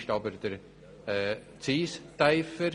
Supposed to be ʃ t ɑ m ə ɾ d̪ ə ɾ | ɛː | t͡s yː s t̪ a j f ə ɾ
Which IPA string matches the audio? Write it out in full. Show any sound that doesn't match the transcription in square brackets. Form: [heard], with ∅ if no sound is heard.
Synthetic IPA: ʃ t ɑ [b] ə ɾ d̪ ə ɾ | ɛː | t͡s [iː] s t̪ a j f ə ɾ